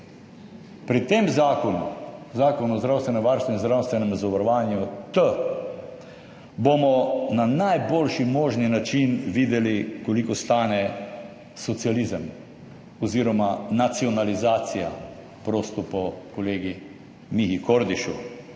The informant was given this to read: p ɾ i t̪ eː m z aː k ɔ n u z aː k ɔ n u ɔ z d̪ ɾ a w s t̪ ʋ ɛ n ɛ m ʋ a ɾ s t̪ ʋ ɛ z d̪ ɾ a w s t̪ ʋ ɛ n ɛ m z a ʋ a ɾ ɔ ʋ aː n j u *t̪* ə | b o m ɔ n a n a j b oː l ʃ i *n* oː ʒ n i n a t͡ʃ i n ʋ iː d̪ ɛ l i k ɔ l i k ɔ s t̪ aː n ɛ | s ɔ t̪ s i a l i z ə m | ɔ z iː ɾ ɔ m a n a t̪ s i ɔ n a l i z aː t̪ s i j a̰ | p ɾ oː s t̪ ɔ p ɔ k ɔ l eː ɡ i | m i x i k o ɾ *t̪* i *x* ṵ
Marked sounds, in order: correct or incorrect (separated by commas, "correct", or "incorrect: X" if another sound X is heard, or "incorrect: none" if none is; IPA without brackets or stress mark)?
correct, incorrect: m, incorrect: d̪, incorrect: ʃ